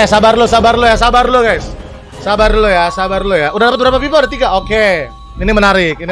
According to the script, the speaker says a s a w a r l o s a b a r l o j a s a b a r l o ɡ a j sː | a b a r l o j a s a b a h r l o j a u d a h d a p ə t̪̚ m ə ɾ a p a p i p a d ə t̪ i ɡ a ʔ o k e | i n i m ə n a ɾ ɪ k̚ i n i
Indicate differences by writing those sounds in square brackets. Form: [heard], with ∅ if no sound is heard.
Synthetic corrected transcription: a s a [b] a r l o s a b a r l o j a s a b a r l o ɡ a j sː | a b a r l o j a s a b a [∅] r l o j a u d a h d a p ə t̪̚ [b] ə ɾ a p a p i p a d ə t̪ i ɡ a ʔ o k e | i n i m ə n a ɾ ɪ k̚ i n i